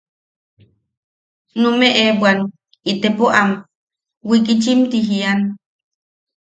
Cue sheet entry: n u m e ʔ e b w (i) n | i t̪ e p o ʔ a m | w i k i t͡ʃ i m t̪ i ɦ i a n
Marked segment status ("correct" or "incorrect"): incorrect